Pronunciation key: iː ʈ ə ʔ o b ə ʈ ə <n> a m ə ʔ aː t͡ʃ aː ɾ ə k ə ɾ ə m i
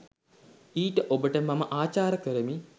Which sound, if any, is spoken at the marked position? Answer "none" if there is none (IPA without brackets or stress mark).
m